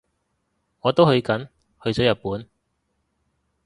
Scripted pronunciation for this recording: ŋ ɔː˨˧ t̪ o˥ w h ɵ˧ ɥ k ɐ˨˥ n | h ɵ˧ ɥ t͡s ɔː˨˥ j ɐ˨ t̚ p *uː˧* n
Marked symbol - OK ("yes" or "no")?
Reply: no